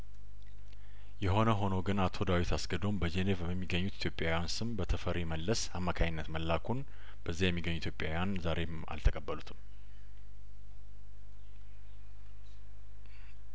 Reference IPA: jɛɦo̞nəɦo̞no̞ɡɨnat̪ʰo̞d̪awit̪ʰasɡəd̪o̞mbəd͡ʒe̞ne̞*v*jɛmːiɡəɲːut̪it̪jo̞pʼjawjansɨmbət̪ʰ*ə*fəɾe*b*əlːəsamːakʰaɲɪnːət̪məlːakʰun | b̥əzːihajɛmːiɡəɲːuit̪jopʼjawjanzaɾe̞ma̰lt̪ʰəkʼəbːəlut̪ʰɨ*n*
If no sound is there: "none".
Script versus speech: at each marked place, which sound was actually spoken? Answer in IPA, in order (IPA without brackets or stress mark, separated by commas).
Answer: v, ə, m, m